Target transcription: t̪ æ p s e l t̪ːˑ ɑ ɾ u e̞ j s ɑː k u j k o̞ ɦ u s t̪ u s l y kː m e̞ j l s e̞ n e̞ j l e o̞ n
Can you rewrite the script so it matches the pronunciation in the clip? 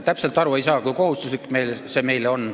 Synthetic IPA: t̪ æ p s e l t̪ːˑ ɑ ɾ u e̞ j s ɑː k u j k o̞ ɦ u s t̪ u s l i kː m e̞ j l s e̞ m e̞ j l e o̞ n

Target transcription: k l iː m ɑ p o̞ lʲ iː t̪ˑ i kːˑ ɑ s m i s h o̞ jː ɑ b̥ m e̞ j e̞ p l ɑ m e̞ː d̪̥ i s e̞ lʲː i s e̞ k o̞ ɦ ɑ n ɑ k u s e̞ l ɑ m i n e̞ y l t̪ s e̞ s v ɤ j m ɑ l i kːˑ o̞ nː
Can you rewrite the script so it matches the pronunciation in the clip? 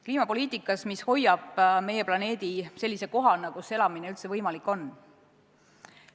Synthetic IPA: k l iː m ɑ p o̞ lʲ iː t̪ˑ i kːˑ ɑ s m i s h o̞ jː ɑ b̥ m e̞ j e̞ p l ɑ n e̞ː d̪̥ i s e̞ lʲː i s e̞ k o̞ ɦ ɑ n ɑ k u s e̞ l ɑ m i n e̞ y l t̪ s e̞ v ɤ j m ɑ l i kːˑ o̞ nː

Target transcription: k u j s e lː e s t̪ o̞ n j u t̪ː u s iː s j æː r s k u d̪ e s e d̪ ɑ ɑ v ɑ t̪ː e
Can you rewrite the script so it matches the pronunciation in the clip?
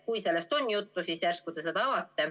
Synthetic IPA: k u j s e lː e s t̪ o̞ n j u t̪ː u s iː s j æ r s k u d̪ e s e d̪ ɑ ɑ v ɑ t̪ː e

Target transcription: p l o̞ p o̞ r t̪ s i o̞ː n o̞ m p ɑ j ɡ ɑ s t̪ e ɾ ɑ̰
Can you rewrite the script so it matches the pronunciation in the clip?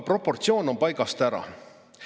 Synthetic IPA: p r o̞ p o̞ r t̪ s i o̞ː n o̞ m p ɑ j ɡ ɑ s t̪ æ ɾ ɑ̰

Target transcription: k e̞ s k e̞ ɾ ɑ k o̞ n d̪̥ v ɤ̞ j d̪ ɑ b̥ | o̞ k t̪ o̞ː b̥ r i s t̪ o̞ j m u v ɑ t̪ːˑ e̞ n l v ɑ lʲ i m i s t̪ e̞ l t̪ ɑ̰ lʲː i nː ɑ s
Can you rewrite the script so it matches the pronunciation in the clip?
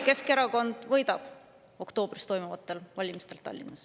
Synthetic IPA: k e̞ s k e̞ ɾ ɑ k o̞ n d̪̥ v ɤ̞ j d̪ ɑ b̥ | o̞ k t̪ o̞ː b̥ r i s t̪ o̞ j m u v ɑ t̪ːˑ e̞ l v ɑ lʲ i m i s t̪ e̞ l t̪ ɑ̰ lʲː i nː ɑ s

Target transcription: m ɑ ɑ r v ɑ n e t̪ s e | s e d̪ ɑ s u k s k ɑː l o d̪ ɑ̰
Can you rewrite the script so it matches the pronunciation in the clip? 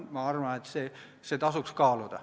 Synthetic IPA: m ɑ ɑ r ʋ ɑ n e t̪ s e | s e t̪ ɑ s u k s k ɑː l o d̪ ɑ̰

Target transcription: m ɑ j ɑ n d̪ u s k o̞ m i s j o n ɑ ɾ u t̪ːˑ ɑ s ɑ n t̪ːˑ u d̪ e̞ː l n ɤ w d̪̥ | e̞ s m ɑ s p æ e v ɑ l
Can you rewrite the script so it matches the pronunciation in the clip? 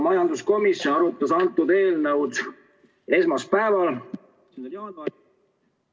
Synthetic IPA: m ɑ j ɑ n d̪ u s k o̞ m i s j o n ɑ ɾ u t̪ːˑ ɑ s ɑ n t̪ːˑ u d̪ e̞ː l n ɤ w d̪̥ | e̞ s m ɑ s p æ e v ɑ l

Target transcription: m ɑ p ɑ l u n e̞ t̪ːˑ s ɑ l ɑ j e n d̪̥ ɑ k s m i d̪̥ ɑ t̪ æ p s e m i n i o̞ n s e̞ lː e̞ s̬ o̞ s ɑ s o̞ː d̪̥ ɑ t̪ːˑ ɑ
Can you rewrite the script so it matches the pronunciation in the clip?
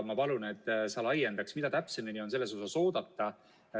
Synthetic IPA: m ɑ p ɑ l u n e̞ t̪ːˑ s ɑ l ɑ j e n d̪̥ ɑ k s m i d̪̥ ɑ t̪ æ p s e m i n i o̞ n s e̞ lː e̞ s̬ o̞ s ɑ s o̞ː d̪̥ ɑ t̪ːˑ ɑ

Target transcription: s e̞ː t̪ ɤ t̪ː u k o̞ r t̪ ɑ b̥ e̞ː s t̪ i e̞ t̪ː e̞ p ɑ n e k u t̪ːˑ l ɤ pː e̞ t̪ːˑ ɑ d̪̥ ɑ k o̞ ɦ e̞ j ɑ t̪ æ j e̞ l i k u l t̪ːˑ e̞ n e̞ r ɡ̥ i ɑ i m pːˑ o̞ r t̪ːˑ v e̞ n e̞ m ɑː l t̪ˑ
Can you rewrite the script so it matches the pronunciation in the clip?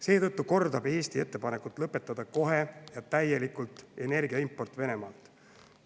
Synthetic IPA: s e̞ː t̪ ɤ t̪ː u k o̞ r d̪ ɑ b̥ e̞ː s t̪ i e̞ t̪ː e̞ p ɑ n e k u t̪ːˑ l ɤ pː e̞ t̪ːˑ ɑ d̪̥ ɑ k o̞ ɦ e̞ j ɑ t̪ æ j e̞ l i k u l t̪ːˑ e̞ n e̞ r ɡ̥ i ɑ i m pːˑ o̞ r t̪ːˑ v e̞ n e̞ m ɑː l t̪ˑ

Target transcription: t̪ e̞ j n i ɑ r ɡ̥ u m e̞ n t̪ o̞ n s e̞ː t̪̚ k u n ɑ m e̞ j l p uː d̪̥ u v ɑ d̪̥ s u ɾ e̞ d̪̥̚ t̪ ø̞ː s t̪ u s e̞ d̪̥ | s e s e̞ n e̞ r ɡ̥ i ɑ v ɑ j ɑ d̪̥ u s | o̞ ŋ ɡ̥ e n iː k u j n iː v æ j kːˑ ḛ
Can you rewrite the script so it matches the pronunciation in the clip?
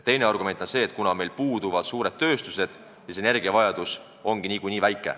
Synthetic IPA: t̪ e̞ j n e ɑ r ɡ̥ u m e̞ n t̪ o̞ n s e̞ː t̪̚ k u n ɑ m e̞ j l p uː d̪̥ u v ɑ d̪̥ s uː ɾ e̞ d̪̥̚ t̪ ø̞ː s t̪ u s e̞ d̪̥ | s i s e̞ n e̞ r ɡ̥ i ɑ v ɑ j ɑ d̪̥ u s | o̞ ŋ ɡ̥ i n iː k u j n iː v æ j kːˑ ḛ

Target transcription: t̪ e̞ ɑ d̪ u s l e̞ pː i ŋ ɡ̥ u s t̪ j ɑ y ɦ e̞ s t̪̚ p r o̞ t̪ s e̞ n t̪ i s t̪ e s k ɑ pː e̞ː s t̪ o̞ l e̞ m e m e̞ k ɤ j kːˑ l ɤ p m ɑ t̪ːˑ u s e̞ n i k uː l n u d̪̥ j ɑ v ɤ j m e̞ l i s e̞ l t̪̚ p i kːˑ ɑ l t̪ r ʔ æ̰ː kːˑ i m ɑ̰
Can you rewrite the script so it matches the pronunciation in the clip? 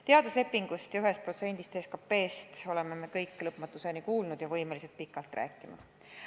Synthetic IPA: t̪ e̞ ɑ d̪ u s l e̞ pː i ŋ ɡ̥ u s t̪ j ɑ y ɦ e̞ s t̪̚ p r o̞ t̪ s e̞ n d̪ i s t̪ e s k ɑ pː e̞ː s t̪ o̞ l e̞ m e m e̞ k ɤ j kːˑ l ɤ p m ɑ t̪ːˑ u s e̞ n i k uː l n u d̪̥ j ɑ v ɤ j m e̞ l i s e̞ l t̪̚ p i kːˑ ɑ l t̪ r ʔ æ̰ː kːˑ i m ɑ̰

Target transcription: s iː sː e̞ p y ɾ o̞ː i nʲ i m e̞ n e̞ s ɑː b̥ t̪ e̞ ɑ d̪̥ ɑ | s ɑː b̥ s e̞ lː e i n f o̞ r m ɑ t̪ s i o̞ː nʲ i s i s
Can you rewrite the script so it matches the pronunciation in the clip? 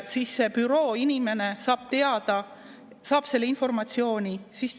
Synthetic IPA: s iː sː e̞ p y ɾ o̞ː i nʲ i m e̞ n e̞ s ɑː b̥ t̪ e̞ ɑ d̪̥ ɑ | s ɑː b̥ s e̞ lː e i n f o̞ r m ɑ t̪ s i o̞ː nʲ i s i s

